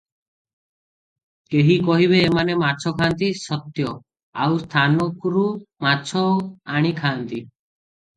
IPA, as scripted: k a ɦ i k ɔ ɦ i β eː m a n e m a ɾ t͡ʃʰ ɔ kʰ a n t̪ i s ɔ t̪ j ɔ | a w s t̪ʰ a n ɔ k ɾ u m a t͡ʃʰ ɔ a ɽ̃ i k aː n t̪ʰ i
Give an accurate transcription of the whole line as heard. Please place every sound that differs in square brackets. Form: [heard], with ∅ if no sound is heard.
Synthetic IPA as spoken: k [e] ɦ i k ɔ ɦ i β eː m a n e m a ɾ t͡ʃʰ ɔ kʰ a n t̪ i s ɔ t̪ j ɔ | a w s t̪ʰ a n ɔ k ɾ u m a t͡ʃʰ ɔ a ɽ̃ i [kʰ] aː n [t̪] i